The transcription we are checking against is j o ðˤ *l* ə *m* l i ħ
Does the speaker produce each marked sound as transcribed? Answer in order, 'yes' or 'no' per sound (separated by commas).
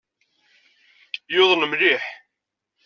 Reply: yes, yes